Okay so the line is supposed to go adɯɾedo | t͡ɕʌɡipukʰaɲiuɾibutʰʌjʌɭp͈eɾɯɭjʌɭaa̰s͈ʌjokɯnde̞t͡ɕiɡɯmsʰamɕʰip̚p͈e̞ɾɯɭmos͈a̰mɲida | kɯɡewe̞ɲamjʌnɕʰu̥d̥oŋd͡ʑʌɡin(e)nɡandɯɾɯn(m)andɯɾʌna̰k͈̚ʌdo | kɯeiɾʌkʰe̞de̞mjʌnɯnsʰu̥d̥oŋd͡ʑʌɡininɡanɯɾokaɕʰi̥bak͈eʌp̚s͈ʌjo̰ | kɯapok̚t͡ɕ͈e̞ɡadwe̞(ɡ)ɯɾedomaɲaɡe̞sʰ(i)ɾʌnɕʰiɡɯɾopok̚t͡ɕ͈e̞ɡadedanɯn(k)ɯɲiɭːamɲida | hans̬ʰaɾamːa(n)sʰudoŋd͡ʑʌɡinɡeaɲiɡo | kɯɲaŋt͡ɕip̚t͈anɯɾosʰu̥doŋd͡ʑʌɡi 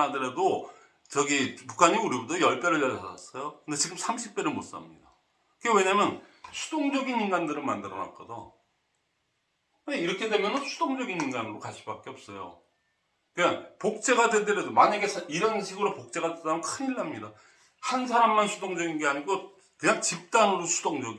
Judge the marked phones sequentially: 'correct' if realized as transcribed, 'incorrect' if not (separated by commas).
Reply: incorrect, correct, incorrect, correct, incorrect, correct